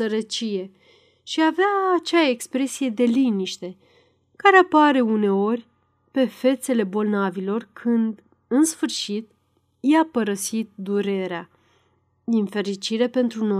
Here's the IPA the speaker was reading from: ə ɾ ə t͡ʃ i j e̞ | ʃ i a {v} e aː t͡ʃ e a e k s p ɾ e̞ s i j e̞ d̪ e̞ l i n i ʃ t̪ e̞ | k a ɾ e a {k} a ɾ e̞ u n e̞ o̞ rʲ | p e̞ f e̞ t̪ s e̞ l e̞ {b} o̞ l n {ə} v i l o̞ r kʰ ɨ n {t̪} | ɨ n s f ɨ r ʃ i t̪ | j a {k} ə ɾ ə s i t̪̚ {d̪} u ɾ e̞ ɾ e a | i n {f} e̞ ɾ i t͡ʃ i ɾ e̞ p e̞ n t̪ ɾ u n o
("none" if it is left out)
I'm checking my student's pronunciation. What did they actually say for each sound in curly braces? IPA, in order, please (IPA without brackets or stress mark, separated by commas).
v, p, b, a, d̪, p, d̪, f